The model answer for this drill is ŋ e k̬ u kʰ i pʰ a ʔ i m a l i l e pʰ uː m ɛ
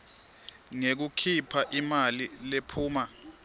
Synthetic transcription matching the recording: ŋ e k̬ u kʰ i pʰ a ʔ i m a l i l e pʰ uː m a